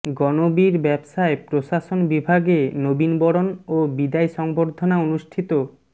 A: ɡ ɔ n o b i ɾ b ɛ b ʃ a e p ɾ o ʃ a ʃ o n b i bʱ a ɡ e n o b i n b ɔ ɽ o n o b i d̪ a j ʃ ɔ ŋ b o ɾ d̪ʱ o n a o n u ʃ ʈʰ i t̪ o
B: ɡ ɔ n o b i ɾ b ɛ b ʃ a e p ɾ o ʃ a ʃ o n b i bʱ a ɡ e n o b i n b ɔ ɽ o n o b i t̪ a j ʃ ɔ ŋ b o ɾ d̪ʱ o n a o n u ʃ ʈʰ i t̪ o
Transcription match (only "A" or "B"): A